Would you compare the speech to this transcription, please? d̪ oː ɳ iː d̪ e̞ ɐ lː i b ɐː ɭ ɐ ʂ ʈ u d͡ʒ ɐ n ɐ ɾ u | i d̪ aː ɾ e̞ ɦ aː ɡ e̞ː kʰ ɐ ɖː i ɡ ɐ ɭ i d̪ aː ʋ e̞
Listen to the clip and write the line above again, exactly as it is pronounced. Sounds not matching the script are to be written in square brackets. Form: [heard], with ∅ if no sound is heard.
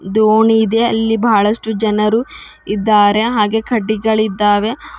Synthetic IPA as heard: d̪ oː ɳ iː d̪ e̞ ɐ lː i b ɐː ɭ ɐ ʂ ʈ u d͡ʒ ɐ n ɐ ɾ u | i [d̪ː] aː ɾ e̞ ɦ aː ɡ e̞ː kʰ ɐ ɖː i ɡ ɐ ɭ i [d̪ː] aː ʋ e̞